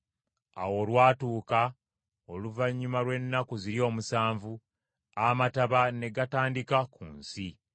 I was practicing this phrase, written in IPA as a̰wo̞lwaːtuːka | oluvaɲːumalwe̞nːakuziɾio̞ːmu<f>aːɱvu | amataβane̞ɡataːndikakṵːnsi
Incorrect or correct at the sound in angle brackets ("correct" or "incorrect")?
incorrect